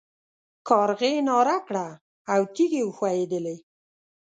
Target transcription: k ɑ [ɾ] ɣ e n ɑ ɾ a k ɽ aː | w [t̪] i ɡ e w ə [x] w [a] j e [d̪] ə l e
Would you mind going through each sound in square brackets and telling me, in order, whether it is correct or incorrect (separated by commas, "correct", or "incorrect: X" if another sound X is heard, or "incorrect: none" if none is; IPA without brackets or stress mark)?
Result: correct, correct, correct, correct, correct